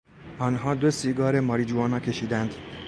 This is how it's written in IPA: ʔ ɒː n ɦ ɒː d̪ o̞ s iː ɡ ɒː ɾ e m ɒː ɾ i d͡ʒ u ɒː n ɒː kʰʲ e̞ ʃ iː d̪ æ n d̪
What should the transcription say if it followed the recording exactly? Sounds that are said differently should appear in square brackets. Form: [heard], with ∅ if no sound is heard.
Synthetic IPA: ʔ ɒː n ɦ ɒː d̪ o̞ s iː ɡ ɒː ɾ e m ɒː ɾ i d͡ʒ u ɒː n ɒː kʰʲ e̞ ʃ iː d̪ æ n d̪